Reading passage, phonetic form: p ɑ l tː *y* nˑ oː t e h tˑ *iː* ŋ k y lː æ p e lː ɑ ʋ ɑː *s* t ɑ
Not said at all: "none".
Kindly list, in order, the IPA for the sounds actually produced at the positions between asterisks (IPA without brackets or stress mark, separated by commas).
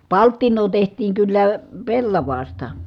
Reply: i, iː, s